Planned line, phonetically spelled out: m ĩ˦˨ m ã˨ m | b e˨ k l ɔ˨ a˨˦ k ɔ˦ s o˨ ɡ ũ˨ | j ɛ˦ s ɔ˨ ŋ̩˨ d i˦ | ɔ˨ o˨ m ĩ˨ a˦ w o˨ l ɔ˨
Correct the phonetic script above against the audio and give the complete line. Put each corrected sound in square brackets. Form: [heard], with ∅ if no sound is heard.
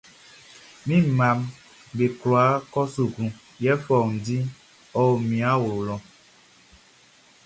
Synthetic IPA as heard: m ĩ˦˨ m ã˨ m | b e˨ k l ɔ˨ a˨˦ k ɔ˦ s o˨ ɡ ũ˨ | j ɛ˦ [f] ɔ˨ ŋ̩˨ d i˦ | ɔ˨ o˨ m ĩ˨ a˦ w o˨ l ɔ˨